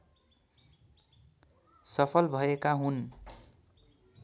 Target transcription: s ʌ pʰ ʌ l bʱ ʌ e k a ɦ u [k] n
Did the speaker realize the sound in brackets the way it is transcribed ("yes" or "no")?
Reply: no